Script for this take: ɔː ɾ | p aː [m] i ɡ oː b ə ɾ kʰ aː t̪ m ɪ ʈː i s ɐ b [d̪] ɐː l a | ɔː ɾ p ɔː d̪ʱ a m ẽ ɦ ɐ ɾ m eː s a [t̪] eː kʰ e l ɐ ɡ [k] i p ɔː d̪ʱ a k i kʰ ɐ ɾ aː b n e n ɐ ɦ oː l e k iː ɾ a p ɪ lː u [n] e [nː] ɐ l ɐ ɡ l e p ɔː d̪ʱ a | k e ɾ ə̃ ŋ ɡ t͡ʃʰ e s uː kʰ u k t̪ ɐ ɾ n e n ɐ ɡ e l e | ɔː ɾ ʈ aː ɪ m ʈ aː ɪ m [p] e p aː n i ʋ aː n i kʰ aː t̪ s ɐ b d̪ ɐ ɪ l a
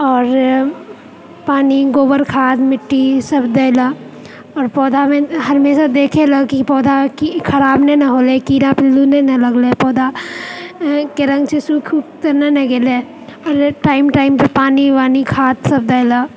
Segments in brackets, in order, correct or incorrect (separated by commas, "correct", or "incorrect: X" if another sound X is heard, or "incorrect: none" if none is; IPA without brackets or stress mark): incorrect: n, correct, incorrect: d̪, correct, correct, incorrect: n, correct